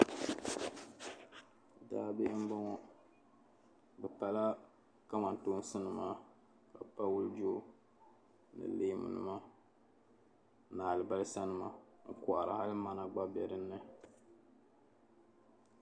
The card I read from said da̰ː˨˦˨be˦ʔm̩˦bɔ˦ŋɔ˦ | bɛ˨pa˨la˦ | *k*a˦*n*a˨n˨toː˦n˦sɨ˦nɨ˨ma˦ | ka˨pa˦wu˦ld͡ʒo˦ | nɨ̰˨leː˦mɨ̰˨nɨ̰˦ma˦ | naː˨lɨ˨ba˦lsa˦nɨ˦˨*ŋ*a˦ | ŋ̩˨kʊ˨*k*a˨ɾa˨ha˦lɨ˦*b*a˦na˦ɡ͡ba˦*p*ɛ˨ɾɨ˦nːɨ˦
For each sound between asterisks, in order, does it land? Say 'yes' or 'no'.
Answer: yes, no, no, no, no, no

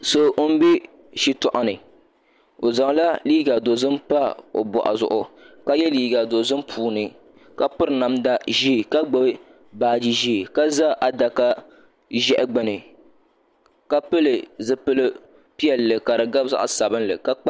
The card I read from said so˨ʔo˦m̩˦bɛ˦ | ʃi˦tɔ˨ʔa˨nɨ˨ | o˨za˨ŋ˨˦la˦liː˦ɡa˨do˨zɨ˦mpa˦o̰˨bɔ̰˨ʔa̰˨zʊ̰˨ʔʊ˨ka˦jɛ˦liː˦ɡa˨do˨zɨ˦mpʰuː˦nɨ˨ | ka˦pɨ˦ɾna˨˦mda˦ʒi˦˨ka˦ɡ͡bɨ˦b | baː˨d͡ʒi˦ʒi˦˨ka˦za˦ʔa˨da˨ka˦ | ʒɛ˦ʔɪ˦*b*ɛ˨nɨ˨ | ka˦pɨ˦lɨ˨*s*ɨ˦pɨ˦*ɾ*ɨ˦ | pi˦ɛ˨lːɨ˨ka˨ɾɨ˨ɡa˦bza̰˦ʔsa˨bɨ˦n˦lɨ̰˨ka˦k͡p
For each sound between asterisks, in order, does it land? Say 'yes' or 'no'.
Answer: no, no, no

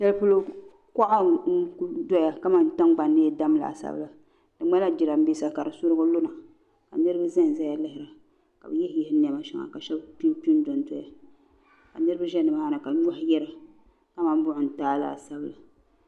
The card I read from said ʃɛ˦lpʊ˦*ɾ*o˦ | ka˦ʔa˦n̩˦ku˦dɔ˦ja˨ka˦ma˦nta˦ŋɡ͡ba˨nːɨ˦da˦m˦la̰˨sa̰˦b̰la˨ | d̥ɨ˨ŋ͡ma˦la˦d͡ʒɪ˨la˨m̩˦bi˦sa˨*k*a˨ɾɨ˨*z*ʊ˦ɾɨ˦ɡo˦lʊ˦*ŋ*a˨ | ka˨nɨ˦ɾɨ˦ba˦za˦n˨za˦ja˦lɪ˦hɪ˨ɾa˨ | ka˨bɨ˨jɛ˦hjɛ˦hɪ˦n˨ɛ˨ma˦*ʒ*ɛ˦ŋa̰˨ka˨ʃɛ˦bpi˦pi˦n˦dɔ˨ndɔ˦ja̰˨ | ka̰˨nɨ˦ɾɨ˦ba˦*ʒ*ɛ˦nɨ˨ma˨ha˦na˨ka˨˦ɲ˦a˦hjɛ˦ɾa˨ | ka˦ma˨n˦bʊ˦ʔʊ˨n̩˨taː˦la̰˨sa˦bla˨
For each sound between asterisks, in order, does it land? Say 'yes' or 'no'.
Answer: no, yes, no, no, no, yes

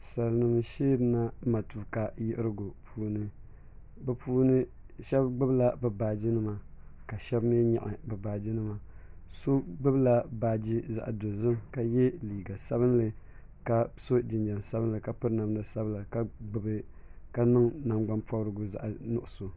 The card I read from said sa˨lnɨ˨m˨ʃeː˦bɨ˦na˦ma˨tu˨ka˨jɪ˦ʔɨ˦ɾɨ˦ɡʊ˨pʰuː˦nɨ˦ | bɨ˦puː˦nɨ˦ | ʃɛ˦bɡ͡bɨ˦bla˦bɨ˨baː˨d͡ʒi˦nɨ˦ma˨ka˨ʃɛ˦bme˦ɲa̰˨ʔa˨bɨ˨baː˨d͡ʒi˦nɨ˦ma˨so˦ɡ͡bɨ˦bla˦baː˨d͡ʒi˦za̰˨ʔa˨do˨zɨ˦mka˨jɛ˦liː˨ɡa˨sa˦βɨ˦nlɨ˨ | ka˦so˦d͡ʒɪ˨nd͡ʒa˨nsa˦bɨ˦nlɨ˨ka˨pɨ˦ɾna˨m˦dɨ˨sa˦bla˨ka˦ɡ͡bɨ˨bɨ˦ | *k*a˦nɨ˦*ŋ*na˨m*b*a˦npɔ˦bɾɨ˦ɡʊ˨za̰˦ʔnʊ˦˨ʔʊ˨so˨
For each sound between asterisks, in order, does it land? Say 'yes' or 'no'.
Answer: yes, yes, no

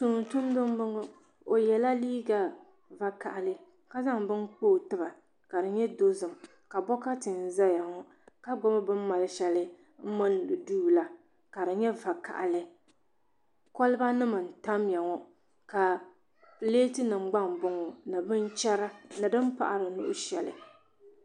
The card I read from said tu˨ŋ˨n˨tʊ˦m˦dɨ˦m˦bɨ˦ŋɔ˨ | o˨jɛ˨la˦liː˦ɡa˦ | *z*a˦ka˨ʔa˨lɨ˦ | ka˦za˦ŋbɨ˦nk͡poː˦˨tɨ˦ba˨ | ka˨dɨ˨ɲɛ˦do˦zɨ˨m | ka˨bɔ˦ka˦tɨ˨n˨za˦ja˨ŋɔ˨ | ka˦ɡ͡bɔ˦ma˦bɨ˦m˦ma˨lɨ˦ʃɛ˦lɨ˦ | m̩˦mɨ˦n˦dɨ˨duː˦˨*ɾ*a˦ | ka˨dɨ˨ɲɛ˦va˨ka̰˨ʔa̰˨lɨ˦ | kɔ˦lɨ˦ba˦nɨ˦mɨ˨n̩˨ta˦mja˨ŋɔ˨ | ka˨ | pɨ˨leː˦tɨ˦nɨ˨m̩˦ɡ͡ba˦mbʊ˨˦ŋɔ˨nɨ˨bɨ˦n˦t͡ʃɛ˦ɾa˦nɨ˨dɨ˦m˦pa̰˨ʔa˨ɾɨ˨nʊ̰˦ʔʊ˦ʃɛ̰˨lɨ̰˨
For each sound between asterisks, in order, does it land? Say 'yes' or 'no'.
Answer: no, no

